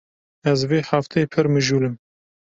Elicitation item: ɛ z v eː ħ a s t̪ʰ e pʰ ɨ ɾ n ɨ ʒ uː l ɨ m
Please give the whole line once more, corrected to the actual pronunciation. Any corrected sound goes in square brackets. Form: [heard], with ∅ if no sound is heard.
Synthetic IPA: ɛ z v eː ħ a [f] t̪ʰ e pʰ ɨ ɾ [m] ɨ ʒ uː l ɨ m

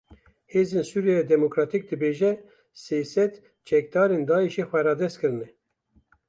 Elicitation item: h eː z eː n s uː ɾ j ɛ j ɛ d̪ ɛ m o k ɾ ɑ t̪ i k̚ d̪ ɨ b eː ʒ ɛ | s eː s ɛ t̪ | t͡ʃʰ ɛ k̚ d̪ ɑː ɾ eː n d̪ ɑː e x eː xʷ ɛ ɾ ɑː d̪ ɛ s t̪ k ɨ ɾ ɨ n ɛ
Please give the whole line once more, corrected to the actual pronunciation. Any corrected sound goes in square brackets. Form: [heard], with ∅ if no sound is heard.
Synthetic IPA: h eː z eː n s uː ɾ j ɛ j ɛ d̪ ɛ m o k ɾ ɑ t̪ i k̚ d̪ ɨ b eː ʒ ɛ | s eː s ɛ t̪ | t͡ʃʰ ɛ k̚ d̪ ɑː ɾ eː n d̪ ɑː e [ʃ] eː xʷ ɛ ɾ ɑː d̪ ɛ s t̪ k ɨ ɾ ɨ n ɛ

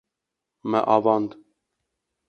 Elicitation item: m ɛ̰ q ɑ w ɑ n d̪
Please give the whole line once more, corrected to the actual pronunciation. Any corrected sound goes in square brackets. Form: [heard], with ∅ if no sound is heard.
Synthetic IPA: m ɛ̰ [ʔ] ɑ [v] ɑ n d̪

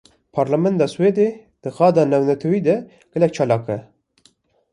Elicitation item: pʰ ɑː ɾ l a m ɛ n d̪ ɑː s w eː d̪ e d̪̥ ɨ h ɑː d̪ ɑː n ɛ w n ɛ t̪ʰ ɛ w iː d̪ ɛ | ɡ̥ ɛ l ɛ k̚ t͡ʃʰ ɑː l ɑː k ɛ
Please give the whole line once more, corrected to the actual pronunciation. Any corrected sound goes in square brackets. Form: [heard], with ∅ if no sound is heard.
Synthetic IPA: pʰ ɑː ɾ l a m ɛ n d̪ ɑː s w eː d̪ e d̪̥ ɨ [x] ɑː d̪ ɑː n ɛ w n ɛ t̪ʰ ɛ w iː d̪ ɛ | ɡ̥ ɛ l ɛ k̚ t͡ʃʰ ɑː l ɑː k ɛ

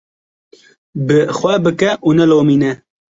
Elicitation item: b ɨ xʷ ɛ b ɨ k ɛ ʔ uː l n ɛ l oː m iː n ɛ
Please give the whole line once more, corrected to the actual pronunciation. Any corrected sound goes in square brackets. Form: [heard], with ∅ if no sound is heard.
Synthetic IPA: b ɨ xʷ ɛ b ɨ k ɛ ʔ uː [∅] n ɛ l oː m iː n ɛ

